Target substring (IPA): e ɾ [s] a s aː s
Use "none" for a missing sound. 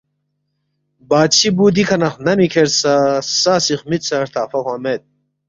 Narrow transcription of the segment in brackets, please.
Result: s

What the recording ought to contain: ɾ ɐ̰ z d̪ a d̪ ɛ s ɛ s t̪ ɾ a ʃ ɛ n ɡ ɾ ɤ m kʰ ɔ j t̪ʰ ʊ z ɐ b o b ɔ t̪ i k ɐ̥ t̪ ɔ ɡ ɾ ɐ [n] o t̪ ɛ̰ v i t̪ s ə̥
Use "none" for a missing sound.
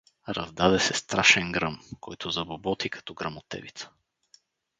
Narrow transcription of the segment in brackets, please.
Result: m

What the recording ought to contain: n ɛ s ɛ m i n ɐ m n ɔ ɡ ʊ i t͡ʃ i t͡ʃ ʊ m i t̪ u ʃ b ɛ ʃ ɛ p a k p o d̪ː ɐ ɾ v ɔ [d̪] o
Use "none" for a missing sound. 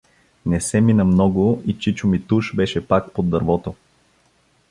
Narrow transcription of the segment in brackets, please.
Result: t̪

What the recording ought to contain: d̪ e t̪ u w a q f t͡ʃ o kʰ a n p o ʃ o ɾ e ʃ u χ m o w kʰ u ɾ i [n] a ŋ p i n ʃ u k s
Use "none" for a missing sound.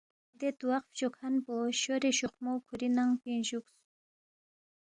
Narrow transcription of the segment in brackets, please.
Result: n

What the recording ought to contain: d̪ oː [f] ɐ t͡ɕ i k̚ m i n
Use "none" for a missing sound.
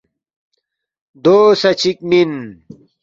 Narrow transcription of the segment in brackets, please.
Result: s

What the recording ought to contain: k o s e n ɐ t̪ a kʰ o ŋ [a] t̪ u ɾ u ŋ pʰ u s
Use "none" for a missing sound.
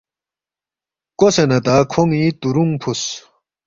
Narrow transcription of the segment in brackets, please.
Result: i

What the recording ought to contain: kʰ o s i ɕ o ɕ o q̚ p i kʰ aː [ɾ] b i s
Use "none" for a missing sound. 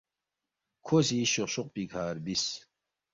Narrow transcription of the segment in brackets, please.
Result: ɾ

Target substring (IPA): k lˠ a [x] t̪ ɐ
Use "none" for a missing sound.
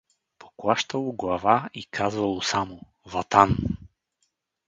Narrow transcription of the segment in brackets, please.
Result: ʃ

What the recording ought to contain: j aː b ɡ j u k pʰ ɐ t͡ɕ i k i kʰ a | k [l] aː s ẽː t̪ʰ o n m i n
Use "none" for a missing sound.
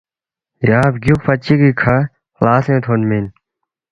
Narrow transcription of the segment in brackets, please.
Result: l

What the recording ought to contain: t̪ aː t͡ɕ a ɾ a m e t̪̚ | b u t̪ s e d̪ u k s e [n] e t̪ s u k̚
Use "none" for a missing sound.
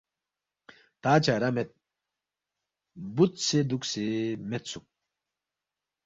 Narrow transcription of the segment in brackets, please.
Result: m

